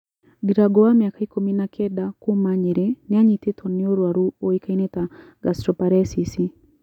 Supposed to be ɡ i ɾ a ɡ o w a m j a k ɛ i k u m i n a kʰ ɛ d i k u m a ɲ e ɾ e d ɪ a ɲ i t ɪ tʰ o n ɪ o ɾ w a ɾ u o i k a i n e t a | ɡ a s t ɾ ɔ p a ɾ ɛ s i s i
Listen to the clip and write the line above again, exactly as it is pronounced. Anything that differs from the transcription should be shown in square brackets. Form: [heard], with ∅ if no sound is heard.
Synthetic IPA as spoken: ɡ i ɾ a ɡ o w a m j a k [a] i k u m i n a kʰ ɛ d [a] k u m a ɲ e ɾ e [n] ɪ a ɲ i t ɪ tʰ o n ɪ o ɾ w a ɾ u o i k a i n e t a | ɡ a s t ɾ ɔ p a ɾ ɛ s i s i